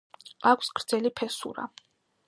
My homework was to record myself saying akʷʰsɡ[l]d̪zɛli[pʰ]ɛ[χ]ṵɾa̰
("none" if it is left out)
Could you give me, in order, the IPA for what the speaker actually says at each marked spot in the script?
ɾ, pʰ, s

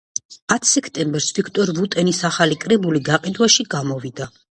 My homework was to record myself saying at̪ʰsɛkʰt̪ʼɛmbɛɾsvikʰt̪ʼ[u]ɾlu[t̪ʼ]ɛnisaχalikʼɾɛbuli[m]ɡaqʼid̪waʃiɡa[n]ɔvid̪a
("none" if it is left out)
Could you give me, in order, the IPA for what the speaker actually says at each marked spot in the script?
ɔ, t̪ʼ, none, m

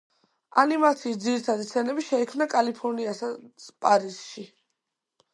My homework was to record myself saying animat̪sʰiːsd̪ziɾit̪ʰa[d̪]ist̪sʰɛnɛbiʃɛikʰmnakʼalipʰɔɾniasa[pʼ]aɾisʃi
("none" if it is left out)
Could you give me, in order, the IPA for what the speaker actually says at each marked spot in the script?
d̪, pʼ

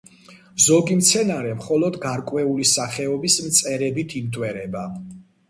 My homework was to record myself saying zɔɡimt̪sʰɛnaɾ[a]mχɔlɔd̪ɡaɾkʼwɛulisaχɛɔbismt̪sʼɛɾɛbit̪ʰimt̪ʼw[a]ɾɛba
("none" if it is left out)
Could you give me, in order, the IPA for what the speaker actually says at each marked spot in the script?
ɛ, ɛ

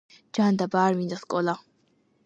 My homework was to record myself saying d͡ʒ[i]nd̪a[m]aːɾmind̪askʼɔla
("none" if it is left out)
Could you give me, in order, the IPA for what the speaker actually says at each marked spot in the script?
a, b

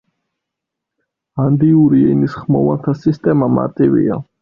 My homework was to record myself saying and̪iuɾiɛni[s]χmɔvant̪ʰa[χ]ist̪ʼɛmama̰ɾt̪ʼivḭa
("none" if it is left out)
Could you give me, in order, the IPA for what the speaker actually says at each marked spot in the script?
s, s

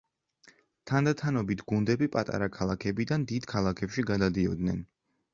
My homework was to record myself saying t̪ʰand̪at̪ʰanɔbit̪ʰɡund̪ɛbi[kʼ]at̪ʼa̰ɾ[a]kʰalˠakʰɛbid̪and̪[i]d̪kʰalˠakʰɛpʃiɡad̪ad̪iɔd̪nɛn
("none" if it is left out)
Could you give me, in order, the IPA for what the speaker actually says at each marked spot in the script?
pʼ, a, i

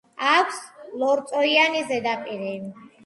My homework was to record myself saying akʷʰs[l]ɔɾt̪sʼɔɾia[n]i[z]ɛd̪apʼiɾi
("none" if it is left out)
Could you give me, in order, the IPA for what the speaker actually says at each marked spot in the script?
l, n, z

